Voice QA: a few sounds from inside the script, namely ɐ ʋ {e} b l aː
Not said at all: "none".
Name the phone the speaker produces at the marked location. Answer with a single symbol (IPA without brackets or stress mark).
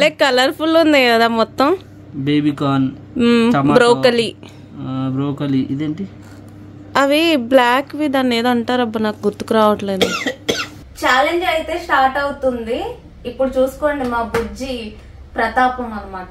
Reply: i